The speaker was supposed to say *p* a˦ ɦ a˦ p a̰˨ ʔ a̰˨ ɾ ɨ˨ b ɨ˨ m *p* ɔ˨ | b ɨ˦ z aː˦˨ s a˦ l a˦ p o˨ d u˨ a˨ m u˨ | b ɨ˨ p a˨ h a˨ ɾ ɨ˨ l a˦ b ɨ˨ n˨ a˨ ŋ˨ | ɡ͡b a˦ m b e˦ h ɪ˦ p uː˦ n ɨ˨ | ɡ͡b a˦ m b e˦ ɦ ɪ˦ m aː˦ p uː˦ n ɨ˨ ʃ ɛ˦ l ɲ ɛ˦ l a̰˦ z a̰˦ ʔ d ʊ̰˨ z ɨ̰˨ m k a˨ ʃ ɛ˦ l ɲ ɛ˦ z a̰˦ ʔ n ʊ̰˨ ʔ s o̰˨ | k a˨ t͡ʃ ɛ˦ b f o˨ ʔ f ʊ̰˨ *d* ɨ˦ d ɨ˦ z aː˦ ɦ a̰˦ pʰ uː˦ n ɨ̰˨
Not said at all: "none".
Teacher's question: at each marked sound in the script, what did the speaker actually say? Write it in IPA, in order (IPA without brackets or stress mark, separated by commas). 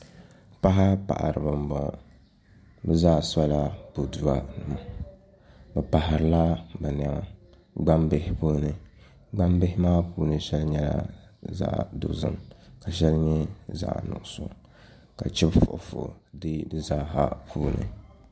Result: p, b, d